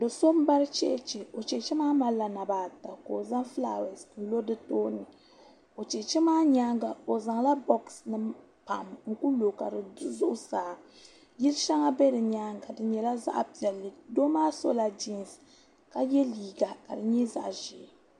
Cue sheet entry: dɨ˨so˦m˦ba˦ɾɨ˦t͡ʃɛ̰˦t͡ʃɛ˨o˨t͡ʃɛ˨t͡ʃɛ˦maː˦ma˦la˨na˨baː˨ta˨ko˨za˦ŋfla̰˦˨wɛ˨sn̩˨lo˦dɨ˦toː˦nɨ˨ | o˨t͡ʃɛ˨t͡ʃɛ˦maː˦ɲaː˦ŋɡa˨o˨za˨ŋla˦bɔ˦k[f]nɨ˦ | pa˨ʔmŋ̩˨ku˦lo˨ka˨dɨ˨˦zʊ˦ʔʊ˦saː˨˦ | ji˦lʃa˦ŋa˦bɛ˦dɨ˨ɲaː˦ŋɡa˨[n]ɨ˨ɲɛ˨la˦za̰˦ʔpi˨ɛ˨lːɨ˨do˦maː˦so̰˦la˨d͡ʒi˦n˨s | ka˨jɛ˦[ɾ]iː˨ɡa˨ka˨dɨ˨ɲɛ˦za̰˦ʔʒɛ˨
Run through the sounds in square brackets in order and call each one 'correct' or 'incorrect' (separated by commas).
incorrect, incorrect, incorrect